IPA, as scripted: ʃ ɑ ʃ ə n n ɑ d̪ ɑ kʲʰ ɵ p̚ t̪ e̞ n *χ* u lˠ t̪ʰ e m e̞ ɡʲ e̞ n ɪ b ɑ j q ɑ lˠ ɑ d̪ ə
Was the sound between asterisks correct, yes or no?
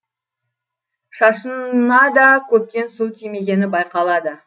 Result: no